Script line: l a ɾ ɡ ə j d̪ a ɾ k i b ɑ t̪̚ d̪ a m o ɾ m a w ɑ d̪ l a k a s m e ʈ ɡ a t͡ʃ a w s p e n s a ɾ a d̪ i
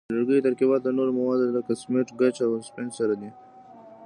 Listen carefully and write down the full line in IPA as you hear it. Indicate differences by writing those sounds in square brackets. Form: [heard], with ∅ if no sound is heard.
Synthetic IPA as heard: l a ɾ ɡ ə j [t̪] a ɾ k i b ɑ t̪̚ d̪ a [n] o ɾ m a w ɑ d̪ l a k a s m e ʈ ɡ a t͡ʃ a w s p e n s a ɾ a d̪ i